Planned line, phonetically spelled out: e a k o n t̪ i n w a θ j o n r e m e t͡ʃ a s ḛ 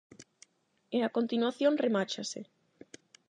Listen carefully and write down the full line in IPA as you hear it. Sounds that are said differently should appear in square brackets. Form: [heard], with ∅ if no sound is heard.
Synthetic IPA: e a k o n t̪ i n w a θ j o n r e m [a] t͡ʃ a s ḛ